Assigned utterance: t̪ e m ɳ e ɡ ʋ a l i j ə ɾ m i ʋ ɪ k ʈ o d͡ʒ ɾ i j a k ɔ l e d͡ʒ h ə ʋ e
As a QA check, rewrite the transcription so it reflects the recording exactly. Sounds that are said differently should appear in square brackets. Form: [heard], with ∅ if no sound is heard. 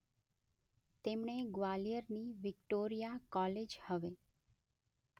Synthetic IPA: t̪ e m ɳ e ɡ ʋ a l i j ə ɾ [n] i ʋ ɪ k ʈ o [∅] ɾ i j a k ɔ l e d͡ʒ h ə ʋ e